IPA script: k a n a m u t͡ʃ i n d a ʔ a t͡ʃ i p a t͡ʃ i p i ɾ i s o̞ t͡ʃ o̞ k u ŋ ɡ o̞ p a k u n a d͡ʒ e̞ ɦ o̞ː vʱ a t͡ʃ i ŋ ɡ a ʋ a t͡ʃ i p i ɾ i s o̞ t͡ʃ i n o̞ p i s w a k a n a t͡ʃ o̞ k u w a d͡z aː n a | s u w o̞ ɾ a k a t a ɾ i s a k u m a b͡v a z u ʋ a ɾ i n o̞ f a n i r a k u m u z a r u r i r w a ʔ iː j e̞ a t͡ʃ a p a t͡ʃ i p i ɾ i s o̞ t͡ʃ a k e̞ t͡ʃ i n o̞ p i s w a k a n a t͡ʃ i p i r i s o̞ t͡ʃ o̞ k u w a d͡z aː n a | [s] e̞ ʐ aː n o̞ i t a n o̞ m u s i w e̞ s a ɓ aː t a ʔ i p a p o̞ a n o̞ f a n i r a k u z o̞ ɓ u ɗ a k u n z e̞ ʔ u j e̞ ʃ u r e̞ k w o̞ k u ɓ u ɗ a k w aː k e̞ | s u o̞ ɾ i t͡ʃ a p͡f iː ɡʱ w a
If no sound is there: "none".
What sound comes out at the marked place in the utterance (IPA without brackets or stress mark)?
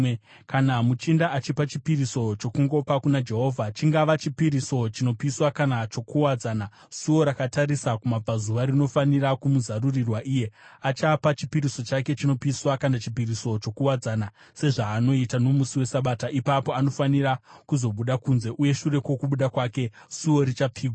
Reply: s